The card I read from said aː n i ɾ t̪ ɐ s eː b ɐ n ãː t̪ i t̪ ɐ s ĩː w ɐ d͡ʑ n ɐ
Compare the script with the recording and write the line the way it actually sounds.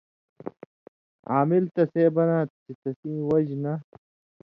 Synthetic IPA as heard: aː m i l t̪ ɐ s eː b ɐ n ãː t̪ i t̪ ɐ s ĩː w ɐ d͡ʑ n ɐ